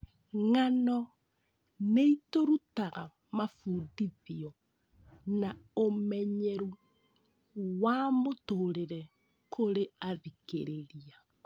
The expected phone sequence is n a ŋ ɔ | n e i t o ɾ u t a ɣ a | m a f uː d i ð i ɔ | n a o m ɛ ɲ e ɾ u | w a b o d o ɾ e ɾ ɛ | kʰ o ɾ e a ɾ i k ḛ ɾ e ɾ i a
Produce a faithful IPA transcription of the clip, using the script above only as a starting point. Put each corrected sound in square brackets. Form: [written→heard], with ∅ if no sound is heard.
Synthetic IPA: [n→ŋ] a [ŋ→n] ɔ | n e i t o ɾ u t a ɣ a | m a f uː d i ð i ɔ | n a o m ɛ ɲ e ɾ u | w a [b→m] o [d→t] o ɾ e ɾ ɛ | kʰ o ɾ e a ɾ i k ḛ ɾ e ɾ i a